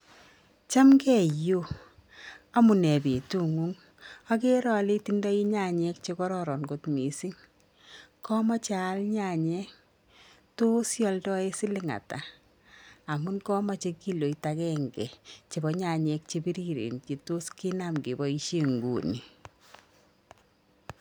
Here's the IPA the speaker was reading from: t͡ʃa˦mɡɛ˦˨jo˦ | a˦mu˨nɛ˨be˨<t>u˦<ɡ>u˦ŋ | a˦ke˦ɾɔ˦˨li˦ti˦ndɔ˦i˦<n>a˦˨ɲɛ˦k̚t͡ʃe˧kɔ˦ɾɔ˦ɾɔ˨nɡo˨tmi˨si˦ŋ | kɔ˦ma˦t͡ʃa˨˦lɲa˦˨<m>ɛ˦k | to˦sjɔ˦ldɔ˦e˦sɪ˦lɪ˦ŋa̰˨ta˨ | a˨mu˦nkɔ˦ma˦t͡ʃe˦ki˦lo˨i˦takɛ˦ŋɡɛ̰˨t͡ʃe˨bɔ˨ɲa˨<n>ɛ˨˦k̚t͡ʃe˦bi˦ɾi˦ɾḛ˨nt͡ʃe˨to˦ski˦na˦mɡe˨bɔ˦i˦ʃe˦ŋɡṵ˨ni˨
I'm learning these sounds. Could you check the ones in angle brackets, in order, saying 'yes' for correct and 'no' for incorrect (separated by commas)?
yes, no, no, no, no